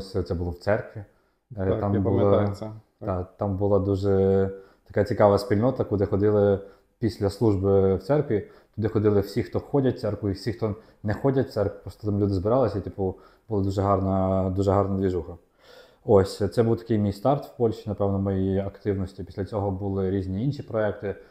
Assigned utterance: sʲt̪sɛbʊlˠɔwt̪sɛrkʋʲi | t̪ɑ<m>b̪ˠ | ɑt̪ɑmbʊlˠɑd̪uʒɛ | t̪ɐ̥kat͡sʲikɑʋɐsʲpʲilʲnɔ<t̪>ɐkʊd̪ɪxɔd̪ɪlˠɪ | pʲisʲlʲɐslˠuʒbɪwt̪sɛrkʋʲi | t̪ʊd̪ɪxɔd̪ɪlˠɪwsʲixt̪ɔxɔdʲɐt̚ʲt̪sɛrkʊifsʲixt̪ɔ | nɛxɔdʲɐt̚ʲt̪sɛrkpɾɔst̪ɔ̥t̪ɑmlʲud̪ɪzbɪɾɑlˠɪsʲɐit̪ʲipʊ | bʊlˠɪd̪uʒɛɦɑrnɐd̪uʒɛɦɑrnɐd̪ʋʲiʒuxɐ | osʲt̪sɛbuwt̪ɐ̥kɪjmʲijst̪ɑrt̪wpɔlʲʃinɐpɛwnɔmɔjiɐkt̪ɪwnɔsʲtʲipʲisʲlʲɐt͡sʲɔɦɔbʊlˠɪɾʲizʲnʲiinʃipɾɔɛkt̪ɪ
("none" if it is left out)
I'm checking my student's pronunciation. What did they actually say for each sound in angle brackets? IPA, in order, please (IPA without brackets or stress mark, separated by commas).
m, t̪